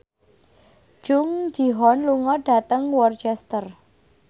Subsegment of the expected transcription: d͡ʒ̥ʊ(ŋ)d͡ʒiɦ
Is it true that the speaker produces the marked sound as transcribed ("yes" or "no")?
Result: yes